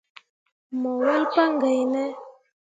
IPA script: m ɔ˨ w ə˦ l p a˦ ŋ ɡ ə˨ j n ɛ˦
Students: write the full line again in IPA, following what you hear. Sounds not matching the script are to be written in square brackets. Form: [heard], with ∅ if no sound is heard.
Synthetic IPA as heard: m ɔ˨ w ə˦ l p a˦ ŋ ɡ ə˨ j n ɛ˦